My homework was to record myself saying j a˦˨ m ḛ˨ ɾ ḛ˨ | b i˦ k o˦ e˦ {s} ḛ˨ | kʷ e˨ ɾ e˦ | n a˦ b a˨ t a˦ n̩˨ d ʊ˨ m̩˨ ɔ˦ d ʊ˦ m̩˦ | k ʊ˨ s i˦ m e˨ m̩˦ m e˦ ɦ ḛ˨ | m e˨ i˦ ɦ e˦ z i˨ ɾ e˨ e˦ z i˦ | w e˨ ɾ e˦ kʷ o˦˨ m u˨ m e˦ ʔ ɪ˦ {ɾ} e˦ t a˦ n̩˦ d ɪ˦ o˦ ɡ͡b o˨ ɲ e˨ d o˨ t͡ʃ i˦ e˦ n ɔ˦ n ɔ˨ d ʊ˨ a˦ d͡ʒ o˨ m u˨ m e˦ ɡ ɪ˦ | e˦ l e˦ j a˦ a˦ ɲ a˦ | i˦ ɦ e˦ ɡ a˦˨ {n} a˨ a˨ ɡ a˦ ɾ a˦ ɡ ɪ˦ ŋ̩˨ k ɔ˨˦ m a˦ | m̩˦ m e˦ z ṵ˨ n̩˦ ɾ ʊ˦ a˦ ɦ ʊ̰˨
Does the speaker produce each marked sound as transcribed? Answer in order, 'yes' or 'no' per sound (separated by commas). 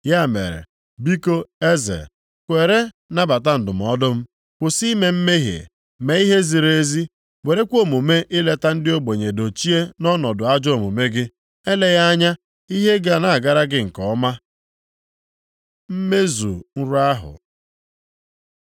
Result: no, no, yes